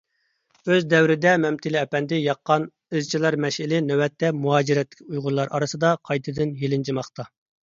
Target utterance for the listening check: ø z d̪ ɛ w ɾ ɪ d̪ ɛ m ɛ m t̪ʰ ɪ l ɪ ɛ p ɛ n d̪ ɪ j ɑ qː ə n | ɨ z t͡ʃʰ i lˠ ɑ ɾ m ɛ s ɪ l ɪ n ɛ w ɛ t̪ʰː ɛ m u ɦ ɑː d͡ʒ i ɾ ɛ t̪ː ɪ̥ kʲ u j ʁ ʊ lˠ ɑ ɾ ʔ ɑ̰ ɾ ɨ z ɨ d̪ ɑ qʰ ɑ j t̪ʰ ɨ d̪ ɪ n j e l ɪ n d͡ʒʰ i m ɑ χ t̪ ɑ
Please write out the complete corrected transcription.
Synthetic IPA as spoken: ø z d̪ ɛ w ɾ ɪ d̪ ɛ m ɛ m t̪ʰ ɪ l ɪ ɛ p ɛ n d̪ ɪ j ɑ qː ɑ n | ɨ z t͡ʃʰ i lˠ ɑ ɾ m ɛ ʃ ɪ l ɪ n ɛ w ɛ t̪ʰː ɛ m u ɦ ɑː d͡ʒ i ɾ ɛ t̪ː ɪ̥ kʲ u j ʁ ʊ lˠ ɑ ɾ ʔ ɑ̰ ɾ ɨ s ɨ d̪ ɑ qʰ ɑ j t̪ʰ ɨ d̪ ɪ n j e l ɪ n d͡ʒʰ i m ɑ χ t̪ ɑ

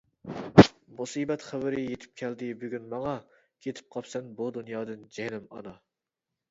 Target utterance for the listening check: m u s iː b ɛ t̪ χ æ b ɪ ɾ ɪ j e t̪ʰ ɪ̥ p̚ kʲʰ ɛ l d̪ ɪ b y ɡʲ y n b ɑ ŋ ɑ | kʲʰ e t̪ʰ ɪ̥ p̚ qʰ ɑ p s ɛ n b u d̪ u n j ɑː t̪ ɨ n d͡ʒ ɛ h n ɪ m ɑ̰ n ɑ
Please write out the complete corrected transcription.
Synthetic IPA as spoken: m u s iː b ɛ t̪ χ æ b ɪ ɾ ɪ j e t̪ʰ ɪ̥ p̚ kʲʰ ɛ l d̪ ɪ b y ɡʲ y n m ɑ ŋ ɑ | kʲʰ e t̪ʰ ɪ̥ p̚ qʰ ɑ p s ɛ n b u d̪ u n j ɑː d̪ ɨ n d͡ʒ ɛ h n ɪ m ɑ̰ n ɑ

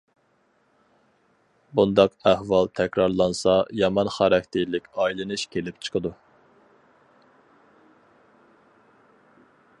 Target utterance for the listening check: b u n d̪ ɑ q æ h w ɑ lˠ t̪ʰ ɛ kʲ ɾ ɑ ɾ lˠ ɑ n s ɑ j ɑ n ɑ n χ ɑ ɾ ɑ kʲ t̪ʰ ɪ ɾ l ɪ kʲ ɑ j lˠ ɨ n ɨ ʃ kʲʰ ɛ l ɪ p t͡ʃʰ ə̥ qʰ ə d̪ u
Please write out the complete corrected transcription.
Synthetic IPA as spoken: b u n d̪ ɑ q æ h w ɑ lˠ t̪ʰ ɛ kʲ ɾ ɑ ɾ lˠ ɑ n s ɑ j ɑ m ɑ n χ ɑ ɾ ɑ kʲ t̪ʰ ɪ ɾ l ɪ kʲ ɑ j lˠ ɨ n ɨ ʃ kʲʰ e l ɪ p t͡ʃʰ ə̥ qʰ ə d̪ u

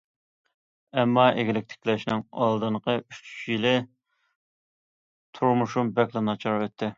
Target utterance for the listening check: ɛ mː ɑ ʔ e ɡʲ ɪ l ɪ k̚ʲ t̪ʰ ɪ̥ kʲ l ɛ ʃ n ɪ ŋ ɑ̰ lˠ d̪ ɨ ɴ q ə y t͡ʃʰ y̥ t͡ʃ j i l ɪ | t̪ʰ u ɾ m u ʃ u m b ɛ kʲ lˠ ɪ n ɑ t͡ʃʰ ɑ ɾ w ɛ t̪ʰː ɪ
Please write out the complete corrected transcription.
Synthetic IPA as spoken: ɛ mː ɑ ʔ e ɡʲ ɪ l ɪ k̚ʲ t̪ʰ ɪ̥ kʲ l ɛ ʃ n ɪ ŋ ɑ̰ lˠ d̪ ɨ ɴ q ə y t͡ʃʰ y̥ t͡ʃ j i l ɪ | t̪ʰ u ɾ m u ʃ u m b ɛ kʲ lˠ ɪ n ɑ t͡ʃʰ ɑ ɾ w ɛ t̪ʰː ɪ

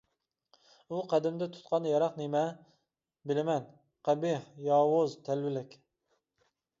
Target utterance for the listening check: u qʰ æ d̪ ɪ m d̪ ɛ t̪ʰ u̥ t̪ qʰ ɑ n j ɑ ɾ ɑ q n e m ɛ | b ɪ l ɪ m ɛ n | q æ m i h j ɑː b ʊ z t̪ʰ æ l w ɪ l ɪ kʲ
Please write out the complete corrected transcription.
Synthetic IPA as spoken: u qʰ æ d̪ ɪ m d̪ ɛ t̪ʰ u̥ t̪ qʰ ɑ n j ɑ ɾ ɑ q n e m ɛ | b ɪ l ɪ m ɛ n | q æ b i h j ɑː w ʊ z t̪ʰ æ l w ɪ l ɪ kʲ

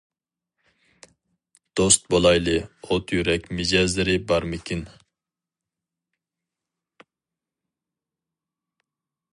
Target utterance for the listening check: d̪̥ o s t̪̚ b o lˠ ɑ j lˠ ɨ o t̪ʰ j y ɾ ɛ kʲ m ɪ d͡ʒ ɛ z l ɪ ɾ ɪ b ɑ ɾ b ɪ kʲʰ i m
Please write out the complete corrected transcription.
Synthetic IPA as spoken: d̪̥ o s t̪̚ b o lˠ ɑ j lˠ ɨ o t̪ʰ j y ɾ ɛ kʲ m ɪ d͡ʒ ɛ z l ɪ ɾ ɪ b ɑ ɾ m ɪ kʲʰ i n

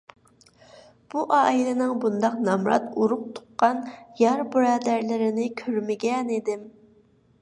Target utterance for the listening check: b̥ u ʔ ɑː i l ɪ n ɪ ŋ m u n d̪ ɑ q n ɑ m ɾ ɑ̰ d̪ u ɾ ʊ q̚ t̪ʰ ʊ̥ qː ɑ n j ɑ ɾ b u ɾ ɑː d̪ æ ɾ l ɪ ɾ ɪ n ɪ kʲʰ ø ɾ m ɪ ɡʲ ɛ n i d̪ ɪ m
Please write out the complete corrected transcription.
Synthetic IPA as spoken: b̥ u ʔ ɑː i l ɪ n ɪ ŋ b u n d̪ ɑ q n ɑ m ɾ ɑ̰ t̪ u ɾ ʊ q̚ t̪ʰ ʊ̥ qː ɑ n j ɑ ɾ b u ɾ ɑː d̪ æ ɾ l ɪ ɾ ɪ n ɪ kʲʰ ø ɾ m ɪ ɡʲ ɛ n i d̪ ɪ m

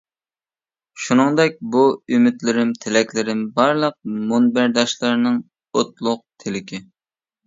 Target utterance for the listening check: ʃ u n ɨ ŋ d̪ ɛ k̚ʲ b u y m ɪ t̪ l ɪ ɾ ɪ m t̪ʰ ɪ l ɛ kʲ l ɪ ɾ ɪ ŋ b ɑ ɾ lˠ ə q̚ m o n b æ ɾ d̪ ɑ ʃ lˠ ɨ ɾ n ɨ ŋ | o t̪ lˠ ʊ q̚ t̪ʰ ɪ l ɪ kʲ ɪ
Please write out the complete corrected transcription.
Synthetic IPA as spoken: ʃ u n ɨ ŋ d̪ ɛ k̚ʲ b u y m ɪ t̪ l ɪ ɾ ɪ m t̪ʰ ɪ l ɛ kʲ l ɪ ɾ ɪ m b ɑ ɾ lˠ ə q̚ m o n b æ ɾ d̪ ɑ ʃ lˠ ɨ ɾ n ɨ ŋ | o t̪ lˠ ʊ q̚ t̪ʰ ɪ l ɪ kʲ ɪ

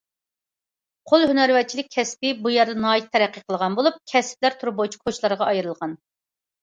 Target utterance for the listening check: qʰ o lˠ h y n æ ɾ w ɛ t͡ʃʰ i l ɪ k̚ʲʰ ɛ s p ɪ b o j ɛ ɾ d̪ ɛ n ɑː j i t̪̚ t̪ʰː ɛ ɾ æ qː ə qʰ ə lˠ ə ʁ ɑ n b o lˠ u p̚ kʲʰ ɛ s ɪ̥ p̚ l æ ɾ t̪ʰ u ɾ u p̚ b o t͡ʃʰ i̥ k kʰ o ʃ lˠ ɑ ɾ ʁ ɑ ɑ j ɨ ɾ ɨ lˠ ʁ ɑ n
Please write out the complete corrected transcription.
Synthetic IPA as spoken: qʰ o lˠ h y n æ ɾ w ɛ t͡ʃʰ i l ɪ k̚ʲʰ ɛ s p ɪ b u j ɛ ɾ d̪ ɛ n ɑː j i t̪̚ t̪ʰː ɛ ɾ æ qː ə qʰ ə lˠ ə ʁ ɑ n b o lˠ u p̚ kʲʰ ɛ s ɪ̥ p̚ l æ ɾ t̪ʰ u ɾ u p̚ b o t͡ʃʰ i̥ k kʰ o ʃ lˠ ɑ ɾ ʁ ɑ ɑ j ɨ ɾ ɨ lˠ ʁ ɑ n

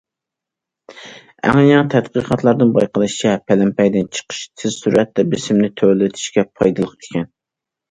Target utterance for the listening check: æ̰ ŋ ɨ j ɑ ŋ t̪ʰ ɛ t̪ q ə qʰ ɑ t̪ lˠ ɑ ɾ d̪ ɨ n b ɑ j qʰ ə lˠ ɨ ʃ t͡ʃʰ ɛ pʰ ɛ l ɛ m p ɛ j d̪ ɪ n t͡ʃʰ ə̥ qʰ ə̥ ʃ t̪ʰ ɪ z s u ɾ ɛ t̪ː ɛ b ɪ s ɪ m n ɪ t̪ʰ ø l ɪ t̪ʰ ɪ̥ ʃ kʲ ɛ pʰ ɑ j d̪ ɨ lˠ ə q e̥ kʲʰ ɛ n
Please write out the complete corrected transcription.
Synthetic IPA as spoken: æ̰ ŋ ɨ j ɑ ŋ t̪ʰ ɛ t̪ q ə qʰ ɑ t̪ lˠ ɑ ɾ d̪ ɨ n b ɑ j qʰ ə lˠ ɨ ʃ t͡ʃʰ ɛ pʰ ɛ l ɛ m p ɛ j d̪ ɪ n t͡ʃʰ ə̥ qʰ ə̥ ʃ t̪ʰ ɪ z s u ɾ ɛ t̪ː ɛ b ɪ s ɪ m n ɪ t̪ʰ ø l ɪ t̪ʰ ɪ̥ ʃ kʲ ɛ pʰ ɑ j d̪ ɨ lˠ ə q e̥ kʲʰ ɛ n

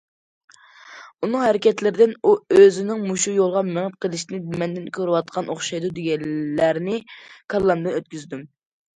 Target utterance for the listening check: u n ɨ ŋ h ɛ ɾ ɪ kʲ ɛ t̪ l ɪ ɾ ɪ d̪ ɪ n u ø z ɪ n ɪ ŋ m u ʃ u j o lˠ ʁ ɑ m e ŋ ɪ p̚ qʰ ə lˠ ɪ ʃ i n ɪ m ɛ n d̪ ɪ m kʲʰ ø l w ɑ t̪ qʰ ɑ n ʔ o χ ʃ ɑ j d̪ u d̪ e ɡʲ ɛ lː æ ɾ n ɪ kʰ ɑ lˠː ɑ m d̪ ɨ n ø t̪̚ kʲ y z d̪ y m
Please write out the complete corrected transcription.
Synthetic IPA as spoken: u n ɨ ŋ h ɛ ɾ ɪ kʲ ɛ t̪ l ɪ ɾ ɪ d̪ ɪ n u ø z ɪ n ɪ ŋ m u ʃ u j o lˠ ʁ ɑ m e ŋ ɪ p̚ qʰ ə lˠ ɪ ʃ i n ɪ m ɛ n d̪ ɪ n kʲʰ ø ɾ w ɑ t̪ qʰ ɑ n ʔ o χ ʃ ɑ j d̪ u d̪ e ɡʲ ɛ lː æ ɾ n ɪ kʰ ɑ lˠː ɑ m d̪ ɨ n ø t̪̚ kʲ y z d̪ y m

